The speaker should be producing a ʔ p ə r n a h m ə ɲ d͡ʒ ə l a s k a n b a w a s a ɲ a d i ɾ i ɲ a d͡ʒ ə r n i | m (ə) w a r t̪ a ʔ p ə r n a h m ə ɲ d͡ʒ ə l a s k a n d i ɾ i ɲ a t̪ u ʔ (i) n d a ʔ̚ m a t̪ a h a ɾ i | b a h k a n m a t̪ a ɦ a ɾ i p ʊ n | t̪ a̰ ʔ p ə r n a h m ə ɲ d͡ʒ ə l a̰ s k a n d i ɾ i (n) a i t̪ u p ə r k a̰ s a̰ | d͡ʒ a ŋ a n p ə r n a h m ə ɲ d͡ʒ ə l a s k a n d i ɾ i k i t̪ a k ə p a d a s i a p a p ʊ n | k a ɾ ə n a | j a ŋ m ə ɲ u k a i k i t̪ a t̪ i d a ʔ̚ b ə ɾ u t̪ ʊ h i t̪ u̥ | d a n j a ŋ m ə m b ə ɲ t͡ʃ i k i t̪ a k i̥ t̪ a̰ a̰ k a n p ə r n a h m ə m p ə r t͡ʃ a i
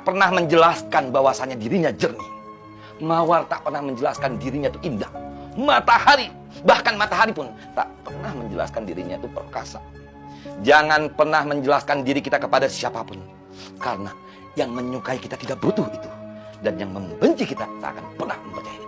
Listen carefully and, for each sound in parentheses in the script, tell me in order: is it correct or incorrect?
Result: incorrect, correct, incorrect

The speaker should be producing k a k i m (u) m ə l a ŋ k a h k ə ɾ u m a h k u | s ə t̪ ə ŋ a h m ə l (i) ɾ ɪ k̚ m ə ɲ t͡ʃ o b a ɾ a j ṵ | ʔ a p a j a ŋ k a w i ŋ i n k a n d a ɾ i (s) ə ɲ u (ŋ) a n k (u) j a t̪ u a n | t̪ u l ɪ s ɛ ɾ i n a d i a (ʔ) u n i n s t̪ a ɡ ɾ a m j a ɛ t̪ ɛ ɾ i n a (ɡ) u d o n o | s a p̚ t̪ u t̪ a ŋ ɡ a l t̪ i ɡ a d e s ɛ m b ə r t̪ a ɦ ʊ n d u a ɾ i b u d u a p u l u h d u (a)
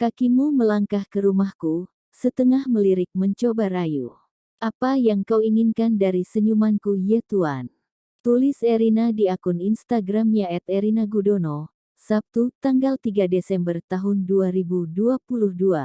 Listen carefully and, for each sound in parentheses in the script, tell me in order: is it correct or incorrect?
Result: correct, correct, correct, incorrect, correct, incorrect, correct, correct

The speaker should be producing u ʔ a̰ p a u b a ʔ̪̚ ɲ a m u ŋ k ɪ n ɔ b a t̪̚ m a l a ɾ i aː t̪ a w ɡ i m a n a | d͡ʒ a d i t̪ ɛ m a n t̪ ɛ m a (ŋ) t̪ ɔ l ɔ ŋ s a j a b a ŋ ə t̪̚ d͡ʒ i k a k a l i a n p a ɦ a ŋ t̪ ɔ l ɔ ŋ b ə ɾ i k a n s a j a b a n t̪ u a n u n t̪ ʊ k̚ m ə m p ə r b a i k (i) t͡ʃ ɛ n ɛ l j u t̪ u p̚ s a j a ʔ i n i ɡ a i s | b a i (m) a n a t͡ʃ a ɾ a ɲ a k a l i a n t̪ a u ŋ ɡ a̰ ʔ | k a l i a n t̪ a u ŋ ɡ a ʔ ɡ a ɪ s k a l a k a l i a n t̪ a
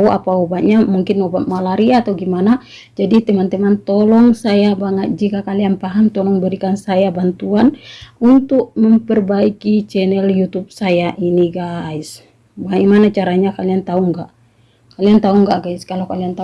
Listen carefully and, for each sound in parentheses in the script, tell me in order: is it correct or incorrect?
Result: incorrect, correct, correct

